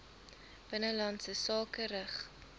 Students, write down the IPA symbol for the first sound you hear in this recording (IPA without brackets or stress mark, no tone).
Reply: b̥